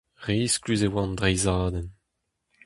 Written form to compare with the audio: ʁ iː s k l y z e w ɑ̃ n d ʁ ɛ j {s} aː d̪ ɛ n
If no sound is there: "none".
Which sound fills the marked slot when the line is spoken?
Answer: z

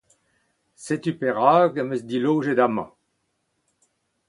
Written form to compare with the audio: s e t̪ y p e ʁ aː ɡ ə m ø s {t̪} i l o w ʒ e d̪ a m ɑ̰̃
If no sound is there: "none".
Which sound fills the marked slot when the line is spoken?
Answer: d̪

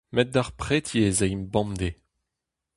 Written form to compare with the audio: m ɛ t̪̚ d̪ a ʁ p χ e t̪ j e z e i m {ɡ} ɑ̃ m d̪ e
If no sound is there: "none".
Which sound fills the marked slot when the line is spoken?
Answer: b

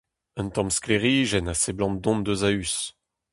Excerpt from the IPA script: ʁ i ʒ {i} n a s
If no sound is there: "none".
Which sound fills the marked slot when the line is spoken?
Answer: ɛ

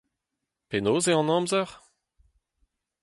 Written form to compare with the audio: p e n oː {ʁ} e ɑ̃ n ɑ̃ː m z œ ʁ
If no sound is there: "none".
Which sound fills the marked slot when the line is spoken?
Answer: z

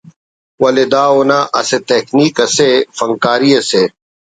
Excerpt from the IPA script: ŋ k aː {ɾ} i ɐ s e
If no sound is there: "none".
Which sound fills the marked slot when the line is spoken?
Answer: ɾ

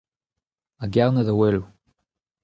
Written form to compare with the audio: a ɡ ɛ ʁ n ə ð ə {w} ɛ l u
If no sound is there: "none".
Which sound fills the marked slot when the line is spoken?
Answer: w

